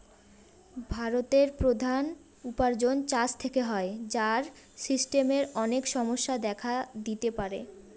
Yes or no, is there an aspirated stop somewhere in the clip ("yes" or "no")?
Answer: yes